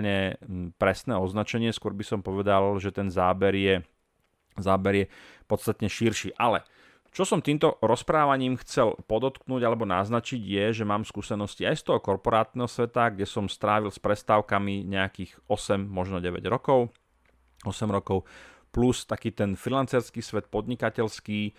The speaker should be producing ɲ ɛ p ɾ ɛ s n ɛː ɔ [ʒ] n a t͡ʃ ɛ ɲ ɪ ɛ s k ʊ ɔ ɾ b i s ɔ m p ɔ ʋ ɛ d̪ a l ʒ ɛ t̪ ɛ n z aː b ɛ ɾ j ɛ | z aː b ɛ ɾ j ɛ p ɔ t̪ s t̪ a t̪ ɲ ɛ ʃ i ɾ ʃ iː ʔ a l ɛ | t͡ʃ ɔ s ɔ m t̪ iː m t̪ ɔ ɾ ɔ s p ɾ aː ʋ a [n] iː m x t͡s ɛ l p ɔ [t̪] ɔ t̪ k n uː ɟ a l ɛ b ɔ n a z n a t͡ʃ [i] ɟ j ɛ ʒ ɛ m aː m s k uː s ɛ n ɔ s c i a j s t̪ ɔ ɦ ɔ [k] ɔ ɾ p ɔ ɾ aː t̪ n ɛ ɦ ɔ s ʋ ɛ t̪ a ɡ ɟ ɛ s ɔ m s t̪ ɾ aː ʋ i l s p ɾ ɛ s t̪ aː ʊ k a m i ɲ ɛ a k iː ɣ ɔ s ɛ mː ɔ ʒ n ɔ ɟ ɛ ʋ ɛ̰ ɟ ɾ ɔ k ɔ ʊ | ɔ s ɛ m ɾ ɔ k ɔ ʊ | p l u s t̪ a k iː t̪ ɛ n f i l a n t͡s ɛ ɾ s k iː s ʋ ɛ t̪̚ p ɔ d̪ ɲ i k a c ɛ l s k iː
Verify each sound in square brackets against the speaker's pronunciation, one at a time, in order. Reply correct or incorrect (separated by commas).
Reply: incorrect, incorrect, incorrect, correct, correct